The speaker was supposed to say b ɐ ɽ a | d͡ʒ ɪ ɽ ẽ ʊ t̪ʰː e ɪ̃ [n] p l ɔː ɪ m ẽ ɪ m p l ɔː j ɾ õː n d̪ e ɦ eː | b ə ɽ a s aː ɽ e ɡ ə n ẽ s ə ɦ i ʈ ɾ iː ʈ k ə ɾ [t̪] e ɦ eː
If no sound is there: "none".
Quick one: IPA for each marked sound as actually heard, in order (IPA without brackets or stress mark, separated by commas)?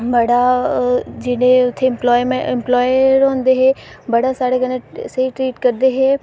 m, d̪